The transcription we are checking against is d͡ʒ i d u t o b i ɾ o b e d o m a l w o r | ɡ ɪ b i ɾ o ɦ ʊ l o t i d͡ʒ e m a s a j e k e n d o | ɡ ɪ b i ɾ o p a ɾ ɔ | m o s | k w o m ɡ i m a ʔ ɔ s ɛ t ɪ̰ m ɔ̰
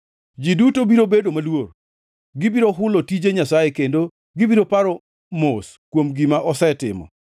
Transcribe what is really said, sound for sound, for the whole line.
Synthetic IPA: d͡ʒ i d u t o b i ɾ o b e d o m a l w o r | ɡ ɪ b i ɾ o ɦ ʊ l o t i d͡ʒ e ɲ a s a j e k e n d o | ɡ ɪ b i ɾ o p a ɾ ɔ | m o s | k w o m ɡ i m a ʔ ɔ s ɛ t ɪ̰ m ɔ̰